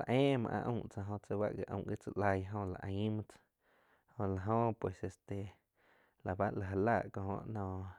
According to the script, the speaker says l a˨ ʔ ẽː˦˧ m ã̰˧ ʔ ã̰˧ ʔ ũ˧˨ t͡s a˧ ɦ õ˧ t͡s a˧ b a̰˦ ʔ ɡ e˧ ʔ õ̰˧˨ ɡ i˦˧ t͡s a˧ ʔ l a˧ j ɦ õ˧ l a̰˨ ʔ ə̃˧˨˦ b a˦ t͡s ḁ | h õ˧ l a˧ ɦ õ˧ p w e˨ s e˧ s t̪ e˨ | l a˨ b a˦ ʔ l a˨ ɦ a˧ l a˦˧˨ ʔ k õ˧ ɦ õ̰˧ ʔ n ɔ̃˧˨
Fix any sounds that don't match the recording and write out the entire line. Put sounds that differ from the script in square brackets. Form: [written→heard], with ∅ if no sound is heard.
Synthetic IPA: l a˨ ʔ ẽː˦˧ m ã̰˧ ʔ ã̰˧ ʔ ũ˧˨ t͡s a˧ ɦ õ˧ t͡s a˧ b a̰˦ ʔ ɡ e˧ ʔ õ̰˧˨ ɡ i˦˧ t͡s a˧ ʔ l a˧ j ɦ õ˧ l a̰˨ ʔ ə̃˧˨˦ [b→m] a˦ t͡s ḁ | h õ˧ l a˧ ɦ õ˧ p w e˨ s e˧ s t̪ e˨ | l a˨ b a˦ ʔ l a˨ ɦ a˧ l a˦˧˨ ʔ k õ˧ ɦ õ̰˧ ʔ n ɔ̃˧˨